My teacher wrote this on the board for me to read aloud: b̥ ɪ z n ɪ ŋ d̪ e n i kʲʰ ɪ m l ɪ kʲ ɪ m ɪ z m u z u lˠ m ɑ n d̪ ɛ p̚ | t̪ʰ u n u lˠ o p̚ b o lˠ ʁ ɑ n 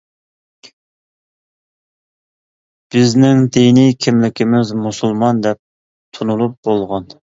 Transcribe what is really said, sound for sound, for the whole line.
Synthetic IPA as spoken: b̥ ɪ z n ɪ ŋ d̪ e n i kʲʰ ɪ m l ɪ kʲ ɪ m ɪ z m u s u lˠ m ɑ n d̪ ɛ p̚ | t̪ʰ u n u lˠ u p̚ b o lˠ ʁ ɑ n

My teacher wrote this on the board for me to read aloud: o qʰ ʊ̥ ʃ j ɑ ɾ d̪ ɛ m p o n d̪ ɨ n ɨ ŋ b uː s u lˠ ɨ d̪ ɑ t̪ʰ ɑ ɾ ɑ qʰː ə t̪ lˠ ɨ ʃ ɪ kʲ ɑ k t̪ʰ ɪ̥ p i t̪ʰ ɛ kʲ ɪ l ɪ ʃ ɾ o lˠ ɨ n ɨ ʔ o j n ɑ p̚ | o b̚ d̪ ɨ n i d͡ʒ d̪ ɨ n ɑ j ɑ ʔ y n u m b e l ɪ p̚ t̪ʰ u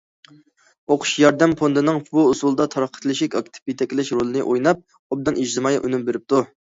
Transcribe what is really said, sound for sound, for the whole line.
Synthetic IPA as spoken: o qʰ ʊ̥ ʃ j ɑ ɾ d̪ ɛ m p o n d̪ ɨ n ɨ ŋ b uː s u lˠ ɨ d̪ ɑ t̪ʰ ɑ ɾ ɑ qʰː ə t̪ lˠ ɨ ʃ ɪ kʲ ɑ k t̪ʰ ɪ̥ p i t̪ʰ ɛ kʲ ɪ l ɪ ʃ ɾ o lˠ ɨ n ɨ ʔ o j n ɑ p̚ | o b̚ d̪ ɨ n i d͡ʒ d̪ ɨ m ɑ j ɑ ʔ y n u m b e ɾ ɪ p̚ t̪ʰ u

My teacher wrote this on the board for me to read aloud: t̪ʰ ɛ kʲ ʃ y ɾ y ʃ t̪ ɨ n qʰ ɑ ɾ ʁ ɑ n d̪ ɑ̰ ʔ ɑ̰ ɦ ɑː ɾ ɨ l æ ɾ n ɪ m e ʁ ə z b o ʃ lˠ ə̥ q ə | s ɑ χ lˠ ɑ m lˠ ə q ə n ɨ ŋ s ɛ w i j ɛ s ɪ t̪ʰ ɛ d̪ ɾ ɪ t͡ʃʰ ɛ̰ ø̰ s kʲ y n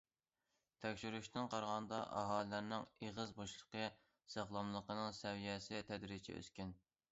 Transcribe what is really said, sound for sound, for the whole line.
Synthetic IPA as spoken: t̪ʰ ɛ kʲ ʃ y ɾ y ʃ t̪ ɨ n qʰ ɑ ɾ ʁ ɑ n d̪ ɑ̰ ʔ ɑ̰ ɦ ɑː l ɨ l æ ɾ n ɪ ŋ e ʁ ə z b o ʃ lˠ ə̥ q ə | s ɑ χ lˠ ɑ m lˠ ə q ə n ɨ ŋ s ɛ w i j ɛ s ɪ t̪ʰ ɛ d̪ ɾ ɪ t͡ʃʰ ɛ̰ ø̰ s kʲ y n

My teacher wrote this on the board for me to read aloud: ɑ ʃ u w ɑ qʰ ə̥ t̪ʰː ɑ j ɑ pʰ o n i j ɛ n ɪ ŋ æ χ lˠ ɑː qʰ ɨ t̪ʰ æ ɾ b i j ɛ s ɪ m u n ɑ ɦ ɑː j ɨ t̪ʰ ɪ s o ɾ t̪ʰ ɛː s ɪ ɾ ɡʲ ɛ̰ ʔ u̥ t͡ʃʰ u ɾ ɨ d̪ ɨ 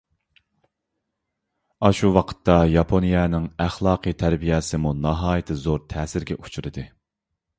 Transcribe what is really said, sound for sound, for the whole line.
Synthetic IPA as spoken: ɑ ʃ u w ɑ qʰ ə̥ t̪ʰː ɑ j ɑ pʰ o n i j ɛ n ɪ ŋ æ χ lˠ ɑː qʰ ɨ t̪ʰ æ ɾ b i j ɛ s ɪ m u n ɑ ɦ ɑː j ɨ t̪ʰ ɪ z o ɾ t̪ʰ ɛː s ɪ ɾ ɡʲ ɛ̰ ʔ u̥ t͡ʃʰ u ɾ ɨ d̪ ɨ

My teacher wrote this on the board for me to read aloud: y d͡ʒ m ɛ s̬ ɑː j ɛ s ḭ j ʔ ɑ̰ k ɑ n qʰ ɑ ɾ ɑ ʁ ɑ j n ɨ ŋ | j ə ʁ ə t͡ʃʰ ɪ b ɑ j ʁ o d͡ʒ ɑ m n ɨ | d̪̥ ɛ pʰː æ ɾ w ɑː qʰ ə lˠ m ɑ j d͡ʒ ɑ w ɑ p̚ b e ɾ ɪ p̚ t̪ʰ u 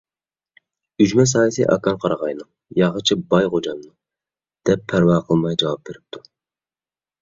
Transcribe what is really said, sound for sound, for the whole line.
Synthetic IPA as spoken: y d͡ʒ m ɛ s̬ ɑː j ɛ s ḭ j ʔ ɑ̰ k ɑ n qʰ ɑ ɾ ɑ ʁ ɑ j n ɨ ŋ | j ɑ ʁ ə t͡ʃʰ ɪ b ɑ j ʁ o d͡ʒ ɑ m n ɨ | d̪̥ ɛ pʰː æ ɾ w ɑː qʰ ə lˠ m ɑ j d͡ʒ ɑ w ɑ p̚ b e ɾ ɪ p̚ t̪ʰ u

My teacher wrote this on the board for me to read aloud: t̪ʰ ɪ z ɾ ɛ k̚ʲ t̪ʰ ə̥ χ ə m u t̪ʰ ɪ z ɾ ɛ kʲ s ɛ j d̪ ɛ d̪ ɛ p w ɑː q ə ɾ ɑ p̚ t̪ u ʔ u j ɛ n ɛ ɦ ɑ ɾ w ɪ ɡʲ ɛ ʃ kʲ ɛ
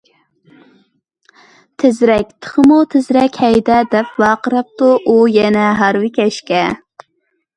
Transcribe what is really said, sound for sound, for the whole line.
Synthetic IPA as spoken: t̪ʰ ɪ z ɾ ɛ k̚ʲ t̪ʰ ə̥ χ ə m u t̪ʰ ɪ z ɾ ɛ kʲ h ɛ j d̪ ɛ d̪ ɛ p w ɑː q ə ɾ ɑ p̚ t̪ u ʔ u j ɛ n ɛ ɦ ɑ ɾ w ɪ kʲ ɛ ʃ kʲ ɛ

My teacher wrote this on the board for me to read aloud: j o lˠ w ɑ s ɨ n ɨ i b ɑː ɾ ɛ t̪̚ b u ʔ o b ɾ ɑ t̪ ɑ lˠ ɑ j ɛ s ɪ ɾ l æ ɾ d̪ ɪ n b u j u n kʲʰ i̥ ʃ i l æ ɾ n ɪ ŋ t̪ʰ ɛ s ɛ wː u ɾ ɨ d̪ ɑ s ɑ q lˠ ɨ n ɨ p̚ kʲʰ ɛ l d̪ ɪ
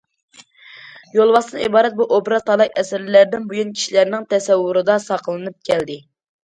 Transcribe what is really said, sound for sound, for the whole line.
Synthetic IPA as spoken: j o lˠ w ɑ s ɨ n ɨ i b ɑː ɾ ɛ t̪̚ b u ʔ o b ɾ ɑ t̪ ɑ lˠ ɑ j ɛ s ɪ ɾ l æ ɾ d̪ ɪ n b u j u n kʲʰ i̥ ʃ i l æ ɾ n ɪ ŋ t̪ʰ ɛ s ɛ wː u ɾ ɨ d̪ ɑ s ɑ q lˠ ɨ n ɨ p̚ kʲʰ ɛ l d̪ ɪ

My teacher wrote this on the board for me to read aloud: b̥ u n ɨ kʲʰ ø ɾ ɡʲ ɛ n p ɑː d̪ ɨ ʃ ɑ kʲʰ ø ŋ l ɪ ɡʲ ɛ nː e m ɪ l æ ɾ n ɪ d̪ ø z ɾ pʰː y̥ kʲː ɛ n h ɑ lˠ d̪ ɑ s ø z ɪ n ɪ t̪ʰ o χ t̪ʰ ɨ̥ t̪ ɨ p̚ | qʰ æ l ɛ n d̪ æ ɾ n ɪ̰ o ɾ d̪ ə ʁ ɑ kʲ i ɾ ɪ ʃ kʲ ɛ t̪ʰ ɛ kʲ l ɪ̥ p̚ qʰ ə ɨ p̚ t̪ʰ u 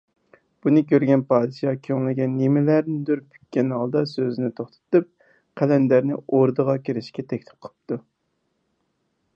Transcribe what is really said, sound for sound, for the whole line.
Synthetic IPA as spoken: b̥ u n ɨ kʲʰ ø ɾ ɡʲ ɛ n p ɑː d̪ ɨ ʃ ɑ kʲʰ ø ŋ l ɪ ɡʲ ɛ nː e m ɪ l æ ɾ n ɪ d̪ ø ɾ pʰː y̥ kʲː ɛ n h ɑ lˠ d̪ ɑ s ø z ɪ n ɪ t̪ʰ o χ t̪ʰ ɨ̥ t̪ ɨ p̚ | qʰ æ l ɛ n d̪ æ ɾ n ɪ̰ o ɾ d̪ ə ʁ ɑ kʲ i ɾ ɪ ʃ kʲ ɛ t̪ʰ ɛ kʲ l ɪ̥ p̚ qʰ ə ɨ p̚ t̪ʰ u

